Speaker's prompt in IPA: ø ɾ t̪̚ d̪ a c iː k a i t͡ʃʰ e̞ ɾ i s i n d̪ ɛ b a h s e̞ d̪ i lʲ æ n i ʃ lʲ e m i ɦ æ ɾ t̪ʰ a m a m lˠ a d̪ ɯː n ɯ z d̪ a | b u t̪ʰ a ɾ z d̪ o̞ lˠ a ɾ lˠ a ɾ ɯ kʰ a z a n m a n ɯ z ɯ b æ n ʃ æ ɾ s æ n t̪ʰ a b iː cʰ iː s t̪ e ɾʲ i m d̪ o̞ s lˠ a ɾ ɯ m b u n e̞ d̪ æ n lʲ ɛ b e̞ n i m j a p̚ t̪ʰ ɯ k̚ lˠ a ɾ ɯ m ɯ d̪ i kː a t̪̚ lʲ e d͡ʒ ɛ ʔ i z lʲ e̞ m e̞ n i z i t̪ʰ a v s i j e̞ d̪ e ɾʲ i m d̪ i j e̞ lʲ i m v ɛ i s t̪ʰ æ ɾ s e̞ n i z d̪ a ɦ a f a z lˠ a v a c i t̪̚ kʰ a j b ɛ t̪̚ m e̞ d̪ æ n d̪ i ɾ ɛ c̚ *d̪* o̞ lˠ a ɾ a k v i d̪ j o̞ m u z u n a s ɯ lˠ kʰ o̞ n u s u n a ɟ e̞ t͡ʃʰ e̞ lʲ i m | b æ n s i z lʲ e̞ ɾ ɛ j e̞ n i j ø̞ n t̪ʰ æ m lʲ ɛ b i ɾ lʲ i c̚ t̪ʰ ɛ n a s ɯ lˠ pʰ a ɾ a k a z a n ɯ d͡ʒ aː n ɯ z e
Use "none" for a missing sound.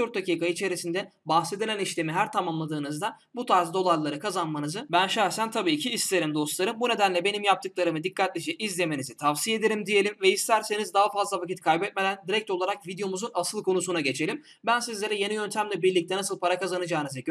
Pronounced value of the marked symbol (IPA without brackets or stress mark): t̪